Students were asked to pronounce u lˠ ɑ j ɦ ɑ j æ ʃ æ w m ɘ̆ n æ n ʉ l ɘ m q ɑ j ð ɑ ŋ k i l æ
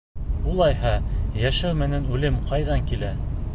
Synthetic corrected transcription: u lˠ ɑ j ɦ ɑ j æ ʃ æ w m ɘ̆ n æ n ʉ l ɘ m q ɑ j ð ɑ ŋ k i l æ